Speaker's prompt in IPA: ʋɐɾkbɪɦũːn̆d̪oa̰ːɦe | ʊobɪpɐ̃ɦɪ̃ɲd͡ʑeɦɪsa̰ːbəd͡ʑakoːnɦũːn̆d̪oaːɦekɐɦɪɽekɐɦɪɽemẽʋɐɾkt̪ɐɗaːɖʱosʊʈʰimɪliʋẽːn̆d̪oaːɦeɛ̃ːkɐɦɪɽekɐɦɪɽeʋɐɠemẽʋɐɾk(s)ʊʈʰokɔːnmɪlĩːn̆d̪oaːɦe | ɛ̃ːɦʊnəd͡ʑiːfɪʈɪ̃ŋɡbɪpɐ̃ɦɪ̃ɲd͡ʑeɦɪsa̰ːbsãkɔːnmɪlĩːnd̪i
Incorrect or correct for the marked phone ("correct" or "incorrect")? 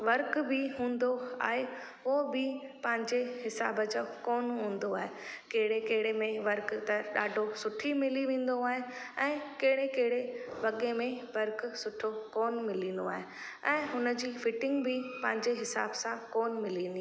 correct